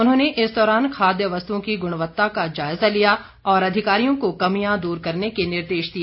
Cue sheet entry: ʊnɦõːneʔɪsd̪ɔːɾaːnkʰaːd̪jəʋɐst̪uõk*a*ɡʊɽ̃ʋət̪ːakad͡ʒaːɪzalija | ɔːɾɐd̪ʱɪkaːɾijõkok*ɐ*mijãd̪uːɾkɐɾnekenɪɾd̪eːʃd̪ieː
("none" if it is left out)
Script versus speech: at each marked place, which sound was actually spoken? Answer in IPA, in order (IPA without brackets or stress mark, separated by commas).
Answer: i, ɐ